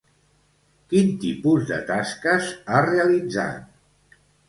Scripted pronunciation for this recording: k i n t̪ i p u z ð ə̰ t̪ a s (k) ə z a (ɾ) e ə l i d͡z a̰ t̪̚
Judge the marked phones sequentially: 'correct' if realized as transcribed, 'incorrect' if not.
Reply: correct, incorrect: r

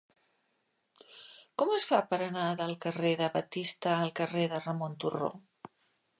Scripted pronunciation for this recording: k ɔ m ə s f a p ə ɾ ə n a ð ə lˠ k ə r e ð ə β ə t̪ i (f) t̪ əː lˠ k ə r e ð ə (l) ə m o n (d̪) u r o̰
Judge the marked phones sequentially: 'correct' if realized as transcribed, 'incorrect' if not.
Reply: incorrect: s, incorrect: r, incorrect: t̪

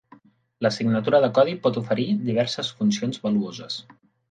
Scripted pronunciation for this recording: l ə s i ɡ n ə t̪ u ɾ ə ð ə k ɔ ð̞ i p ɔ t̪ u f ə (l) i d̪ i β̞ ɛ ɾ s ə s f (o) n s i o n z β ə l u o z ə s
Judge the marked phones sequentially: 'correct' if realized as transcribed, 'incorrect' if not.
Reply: incorrect: ɾ, incorrect: u

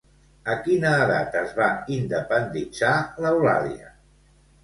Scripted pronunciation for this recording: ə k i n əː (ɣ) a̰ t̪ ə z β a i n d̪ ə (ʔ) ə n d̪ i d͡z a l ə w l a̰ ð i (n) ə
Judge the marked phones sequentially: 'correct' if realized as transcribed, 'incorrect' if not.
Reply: incorrect: ð, incorrect: p, incorrect: none

